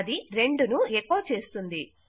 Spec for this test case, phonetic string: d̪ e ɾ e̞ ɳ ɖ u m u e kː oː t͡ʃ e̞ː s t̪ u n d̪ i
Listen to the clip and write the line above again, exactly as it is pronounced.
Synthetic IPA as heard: d̪ i ɾ e̞ ɳ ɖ u n u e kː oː t͡ʃ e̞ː s t̪ u n d̪ i